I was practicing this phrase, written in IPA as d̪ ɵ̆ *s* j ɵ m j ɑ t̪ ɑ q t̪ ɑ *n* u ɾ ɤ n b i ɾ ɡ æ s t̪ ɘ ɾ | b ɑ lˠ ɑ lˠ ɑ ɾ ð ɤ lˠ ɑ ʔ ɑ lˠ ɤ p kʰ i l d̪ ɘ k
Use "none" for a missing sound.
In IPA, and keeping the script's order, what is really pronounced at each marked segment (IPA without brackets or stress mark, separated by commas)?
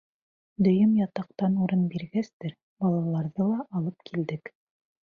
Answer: none, n